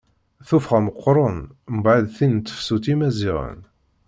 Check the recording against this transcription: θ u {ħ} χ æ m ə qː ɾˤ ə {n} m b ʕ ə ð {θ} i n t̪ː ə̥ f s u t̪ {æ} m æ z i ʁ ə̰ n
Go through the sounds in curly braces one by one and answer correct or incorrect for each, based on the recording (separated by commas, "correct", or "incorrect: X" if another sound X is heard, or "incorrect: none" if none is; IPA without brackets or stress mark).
incorrect: f, correct, correct, incorrect: i